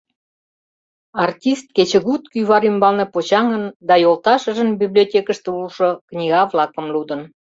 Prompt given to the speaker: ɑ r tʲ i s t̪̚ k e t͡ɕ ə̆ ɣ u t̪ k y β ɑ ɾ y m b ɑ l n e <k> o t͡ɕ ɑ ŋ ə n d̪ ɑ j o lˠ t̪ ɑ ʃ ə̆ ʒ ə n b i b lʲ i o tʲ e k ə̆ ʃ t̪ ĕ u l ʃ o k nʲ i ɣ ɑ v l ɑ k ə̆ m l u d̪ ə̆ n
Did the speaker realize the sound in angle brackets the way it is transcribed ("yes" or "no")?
no